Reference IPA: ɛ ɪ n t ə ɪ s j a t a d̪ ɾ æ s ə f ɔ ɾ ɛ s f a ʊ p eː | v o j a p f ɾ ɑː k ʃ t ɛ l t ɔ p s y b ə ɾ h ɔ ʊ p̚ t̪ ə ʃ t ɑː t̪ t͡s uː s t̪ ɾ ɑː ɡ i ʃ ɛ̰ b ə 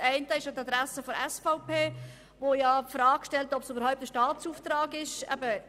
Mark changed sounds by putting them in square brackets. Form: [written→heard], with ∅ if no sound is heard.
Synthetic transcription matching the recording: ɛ ɪ n t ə ɪ [s→ʃ] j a t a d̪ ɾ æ s ə f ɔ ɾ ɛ s f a ʊ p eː | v o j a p f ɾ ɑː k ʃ t ɛ l t ɔ p s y b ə ɾ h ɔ ʊ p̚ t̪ ə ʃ t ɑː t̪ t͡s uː [s→f] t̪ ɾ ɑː ɡ [i→ɪ] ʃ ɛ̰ b ə